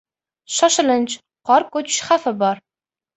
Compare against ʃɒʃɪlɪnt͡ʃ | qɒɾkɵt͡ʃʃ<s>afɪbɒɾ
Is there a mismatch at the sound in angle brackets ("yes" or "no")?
yes